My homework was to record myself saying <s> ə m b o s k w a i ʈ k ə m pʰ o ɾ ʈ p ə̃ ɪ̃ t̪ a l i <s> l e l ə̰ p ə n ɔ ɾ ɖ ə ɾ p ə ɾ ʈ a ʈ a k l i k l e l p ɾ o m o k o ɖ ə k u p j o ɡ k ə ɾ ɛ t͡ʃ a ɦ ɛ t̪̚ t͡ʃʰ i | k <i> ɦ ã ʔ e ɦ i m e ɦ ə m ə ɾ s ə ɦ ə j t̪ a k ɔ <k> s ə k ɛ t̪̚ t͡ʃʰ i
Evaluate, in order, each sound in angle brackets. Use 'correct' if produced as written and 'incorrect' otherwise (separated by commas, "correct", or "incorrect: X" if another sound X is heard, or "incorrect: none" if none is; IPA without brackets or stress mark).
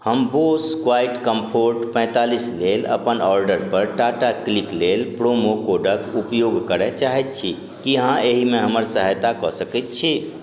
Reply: incorrect: h, correct, correct, incorrect: none